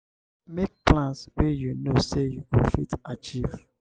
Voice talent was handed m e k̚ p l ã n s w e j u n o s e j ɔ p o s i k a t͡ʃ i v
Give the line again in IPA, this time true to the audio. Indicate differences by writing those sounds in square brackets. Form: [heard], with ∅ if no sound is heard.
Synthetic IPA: m e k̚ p l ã n s w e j u n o s e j [u] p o [f] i [t] a t͡ʃ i v